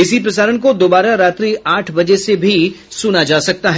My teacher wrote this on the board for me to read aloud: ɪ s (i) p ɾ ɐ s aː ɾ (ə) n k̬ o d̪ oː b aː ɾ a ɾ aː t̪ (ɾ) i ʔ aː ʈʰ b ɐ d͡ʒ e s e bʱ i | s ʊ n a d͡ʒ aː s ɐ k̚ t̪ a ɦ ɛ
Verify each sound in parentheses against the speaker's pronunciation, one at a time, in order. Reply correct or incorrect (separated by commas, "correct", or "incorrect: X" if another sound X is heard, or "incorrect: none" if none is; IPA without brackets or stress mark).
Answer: correct, correct, correct